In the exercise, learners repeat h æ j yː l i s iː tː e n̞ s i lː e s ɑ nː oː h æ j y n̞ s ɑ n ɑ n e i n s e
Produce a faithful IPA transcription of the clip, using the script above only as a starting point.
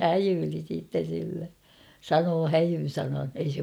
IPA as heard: h æ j yː l i s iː tː e n̞ s i lː e s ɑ n oː h æ j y n̞ s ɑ n ɑ n e i s e